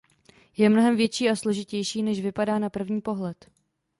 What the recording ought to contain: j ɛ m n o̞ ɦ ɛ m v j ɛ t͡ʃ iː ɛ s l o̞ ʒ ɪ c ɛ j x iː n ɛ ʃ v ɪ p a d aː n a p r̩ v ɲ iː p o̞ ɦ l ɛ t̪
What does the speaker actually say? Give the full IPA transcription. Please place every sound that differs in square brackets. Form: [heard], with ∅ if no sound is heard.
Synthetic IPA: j ɛ m n o̞ ɦ ɛ m v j ɛ t͡ʃ iː [a] s l o̞ ʒ ɪ c ɛ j [ʃ] iː n ɛ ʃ v ɪ p a d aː n a p r̩ v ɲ iː p o̞ ɦ l ɛ t̪